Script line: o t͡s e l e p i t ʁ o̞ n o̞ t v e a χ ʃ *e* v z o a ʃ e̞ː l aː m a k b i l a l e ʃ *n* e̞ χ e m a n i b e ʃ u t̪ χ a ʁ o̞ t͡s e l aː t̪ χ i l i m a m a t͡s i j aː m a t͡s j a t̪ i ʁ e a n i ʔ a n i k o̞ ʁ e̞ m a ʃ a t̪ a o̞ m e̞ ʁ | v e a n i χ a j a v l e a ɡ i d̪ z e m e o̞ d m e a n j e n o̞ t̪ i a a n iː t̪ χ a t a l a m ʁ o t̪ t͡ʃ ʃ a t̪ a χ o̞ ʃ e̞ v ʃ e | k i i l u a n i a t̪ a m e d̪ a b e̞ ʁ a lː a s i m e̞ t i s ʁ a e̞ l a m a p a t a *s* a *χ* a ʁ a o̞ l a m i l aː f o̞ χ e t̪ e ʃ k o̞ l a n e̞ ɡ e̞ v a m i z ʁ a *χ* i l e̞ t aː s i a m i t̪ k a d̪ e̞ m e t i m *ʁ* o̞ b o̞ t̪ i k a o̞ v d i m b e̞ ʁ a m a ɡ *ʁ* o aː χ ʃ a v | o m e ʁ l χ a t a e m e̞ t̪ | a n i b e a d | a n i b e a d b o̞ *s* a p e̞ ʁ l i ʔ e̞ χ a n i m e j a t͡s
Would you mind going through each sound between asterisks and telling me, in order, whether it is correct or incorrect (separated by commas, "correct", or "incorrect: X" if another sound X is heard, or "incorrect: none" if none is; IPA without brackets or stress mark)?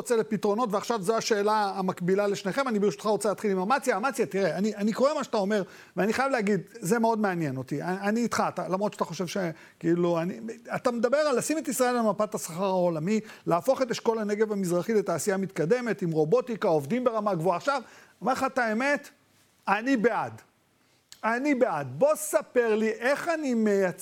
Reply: incorrect: a, correct, correct, correct, correct, correct, incorrect: v, correct